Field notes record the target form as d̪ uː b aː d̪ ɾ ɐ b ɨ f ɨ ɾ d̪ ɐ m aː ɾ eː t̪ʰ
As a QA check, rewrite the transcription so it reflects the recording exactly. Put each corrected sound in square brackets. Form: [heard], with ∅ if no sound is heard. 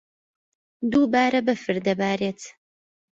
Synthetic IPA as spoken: d̪ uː b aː [∅] ɾ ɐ b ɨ f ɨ ɾ d̪ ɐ [b] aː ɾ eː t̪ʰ